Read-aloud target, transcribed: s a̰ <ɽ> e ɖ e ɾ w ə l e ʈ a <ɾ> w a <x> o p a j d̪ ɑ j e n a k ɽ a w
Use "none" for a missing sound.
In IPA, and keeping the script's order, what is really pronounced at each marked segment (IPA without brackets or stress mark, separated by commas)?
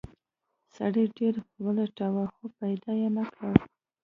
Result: ɽ, none, x